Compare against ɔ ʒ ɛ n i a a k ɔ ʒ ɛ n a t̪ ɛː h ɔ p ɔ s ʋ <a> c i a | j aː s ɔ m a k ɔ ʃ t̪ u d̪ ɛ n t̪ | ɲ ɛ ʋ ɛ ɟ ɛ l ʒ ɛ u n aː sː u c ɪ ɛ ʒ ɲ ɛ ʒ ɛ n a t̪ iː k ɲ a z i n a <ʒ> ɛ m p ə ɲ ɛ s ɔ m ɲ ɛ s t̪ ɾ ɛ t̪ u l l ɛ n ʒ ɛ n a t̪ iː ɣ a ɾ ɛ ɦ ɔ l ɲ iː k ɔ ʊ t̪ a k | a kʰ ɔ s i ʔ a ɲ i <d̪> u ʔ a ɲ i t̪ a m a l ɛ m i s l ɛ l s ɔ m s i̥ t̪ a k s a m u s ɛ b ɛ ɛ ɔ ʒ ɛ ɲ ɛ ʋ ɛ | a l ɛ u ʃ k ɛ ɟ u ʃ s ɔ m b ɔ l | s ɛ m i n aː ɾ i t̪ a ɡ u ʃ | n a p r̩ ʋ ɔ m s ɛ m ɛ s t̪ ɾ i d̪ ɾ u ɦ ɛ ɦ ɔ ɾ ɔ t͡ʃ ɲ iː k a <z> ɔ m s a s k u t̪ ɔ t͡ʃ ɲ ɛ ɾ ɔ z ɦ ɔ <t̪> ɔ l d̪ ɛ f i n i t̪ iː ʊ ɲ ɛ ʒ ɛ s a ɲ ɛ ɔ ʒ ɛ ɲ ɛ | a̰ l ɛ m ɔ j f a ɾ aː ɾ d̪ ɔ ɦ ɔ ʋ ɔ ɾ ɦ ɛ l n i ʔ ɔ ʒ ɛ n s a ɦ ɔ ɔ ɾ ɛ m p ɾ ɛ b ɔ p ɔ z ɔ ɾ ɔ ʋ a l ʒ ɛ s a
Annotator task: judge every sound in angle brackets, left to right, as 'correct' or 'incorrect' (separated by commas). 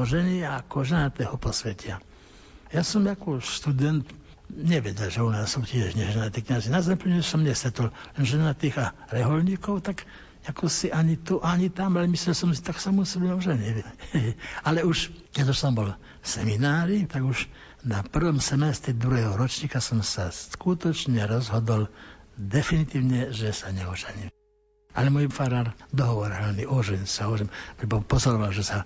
incorrect, incorrect, incorrect, incorrect, incorrect